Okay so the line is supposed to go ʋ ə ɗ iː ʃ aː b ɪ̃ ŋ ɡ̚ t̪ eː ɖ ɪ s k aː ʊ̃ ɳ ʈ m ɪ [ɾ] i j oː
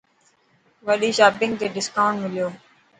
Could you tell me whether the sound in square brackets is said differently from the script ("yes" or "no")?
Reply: yes